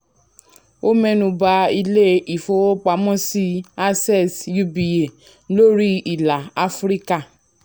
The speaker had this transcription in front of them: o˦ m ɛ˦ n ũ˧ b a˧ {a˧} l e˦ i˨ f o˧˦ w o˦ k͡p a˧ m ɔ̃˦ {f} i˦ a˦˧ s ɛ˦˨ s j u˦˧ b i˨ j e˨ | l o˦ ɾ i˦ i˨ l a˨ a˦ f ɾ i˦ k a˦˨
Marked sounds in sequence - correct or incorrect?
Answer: incorrect: i˧, incorrect: s

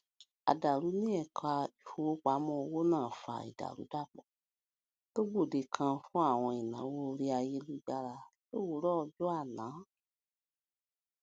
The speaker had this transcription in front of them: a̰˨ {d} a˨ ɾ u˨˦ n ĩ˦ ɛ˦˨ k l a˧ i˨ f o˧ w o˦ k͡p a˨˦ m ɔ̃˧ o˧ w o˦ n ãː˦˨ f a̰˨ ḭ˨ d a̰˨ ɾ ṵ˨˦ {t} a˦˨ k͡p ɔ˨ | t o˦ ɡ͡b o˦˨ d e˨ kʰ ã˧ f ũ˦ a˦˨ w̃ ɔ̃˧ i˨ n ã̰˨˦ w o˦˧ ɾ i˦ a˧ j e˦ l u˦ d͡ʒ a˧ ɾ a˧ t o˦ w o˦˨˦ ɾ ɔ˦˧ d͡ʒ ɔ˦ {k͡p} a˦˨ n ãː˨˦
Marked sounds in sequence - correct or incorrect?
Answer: correct, incorrect: d, incorrect: none

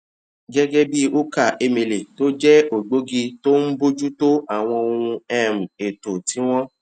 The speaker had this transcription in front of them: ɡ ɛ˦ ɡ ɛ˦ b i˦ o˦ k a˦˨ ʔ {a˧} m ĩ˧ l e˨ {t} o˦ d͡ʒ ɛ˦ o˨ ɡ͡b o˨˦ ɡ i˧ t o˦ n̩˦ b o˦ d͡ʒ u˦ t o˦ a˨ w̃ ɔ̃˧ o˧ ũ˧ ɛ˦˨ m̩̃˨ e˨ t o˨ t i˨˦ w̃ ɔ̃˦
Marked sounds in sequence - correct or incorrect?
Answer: incorrect: e˧, correct

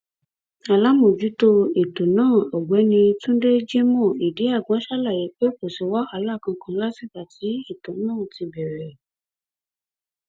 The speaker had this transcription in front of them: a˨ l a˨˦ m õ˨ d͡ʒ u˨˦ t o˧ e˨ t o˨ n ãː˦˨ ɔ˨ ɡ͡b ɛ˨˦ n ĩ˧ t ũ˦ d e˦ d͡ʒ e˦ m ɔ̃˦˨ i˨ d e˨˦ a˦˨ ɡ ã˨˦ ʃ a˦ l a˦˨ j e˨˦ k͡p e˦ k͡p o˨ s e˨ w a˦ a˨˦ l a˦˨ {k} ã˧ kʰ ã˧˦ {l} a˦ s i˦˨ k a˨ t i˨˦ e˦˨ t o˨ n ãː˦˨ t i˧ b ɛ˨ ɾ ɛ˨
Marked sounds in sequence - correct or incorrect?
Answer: correct, correct

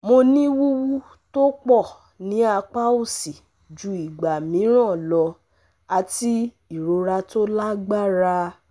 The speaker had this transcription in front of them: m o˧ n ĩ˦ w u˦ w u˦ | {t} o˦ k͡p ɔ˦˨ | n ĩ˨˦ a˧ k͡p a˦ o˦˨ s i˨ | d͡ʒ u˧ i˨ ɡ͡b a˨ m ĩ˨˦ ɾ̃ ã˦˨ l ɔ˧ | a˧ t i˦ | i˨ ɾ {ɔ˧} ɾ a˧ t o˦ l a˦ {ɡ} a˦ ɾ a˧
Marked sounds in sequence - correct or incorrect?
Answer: correct, incorrect: o˧, incorrect: ɡ͡b

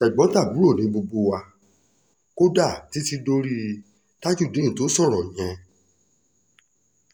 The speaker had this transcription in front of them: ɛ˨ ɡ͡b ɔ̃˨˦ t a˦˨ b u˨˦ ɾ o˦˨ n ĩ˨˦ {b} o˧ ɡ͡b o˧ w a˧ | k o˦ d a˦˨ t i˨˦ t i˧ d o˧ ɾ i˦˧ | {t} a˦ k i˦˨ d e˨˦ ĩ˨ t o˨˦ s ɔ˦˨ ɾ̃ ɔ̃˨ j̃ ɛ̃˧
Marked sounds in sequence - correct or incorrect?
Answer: correct, correct

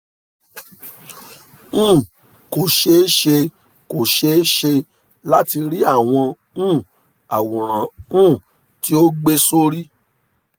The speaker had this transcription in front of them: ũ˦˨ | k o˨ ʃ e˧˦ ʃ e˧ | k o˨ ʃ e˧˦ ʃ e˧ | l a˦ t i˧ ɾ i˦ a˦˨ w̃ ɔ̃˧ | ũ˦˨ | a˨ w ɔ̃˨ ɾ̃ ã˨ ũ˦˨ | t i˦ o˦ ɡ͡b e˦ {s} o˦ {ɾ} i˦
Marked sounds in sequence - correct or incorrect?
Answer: correct, correct

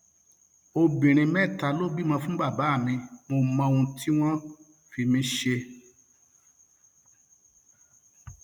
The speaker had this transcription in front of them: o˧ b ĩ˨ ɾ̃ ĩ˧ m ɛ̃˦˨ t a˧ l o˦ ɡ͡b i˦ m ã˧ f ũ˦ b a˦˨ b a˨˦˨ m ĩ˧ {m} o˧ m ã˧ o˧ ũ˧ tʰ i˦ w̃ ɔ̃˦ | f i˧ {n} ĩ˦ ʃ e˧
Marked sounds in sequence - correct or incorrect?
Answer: correct, incorrect: m

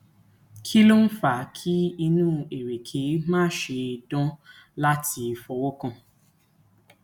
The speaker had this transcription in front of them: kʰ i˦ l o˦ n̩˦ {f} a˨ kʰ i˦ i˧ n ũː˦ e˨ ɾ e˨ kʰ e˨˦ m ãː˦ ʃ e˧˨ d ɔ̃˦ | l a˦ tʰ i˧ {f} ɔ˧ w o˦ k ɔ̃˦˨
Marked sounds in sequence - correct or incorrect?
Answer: correct, correct

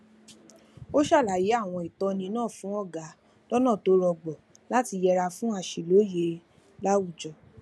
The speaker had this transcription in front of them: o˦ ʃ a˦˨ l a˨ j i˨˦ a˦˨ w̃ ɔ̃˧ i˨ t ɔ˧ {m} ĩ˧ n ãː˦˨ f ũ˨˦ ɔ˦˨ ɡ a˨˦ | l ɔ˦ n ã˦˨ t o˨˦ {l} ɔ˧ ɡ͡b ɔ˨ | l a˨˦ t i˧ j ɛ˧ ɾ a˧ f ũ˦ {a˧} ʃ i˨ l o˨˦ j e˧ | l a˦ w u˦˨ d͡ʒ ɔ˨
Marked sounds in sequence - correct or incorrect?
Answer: incorrect: n, incorrect: ɾ, correct

